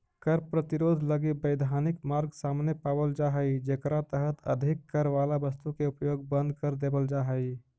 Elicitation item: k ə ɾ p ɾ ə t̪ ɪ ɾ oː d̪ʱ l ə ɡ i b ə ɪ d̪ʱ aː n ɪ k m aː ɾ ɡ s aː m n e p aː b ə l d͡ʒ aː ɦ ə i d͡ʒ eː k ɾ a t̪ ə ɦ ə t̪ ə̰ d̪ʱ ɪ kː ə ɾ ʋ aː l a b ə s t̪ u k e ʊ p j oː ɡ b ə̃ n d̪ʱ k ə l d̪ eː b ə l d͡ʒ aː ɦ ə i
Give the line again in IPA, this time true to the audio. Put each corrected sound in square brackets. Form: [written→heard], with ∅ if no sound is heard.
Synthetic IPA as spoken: k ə ɾ p ɾ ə t̪ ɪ ɾ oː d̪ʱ l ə ɡ i b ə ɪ d̪ʱ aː n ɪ k m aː ɾ ɡ s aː m n e p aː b ə l d͡ʒ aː ɦ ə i d͡ʒ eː k ɾ a t̪ ə ɦ ə t̪ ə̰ d̪ʱ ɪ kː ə ɾ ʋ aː l a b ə s t̪ u k e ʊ p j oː ɡ b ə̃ n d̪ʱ k ə [l→ɾ] d̪ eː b ə l d͡ʒ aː ɦ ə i